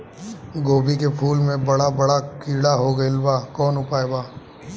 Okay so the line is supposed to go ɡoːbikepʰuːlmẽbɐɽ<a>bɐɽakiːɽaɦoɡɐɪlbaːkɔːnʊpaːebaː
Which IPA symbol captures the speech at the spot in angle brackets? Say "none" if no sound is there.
a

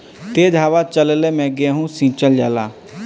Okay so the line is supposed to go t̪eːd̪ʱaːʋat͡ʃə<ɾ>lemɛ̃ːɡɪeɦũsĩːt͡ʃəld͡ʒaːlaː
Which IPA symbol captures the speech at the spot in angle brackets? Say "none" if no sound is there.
l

